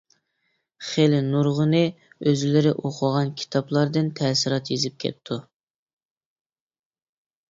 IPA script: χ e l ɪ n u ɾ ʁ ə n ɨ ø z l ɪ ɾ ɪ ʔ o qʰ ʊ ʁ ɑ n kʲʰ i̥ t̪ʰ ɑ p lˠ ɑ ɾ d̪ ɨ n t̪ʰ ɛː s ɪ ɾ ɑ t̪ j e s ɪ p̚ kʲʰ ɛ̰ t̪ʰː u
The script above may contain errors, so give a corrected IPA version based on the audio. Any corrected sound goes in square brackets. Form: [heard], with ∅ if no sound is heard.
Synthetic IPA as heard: χ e l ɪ n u ɾ ʁ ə n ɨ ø z l ɪ ɾ ɪ ʔ o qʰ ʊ ʁ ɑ n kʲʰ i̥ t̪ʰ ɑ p lˠ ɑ ɾ d̪ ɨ n t̪ʰ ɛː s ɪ ɾ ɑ t̪ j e [z] ɪ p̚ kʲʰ ɛ̰ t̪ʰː u